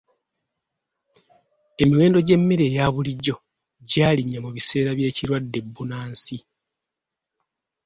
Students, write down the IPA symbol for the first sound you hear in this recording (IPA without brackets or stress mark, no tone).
e̞